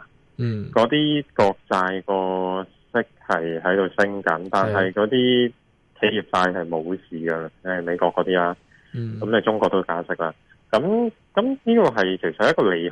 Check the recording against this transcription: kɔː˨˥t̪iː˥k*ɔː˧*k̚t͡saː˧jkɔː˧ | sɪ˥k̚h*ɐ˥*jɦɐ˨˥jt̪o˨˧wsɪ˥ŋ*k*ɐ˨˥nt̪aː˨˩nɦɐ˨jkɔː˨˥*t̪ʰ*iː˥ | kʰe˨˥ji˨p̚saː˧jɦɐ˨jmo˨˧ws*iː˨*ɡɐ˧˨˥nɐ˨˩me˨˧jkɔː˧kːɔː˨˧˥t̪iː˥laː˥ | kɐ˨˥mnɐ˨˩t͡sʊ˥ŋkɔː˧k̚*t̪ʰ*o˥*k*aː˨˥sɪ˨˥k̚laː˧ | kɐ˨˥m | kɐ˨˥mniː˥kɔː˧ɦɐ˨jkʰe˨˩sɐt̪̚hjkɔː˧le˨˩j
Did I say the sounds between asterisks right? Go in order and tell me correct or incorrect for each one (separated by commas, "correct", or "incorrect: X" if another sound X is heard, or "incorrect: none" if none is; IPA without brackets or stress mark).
correct, incorrect: ɐ˨, correct, incorrect: t̪, correct, incorrect: t̪, correct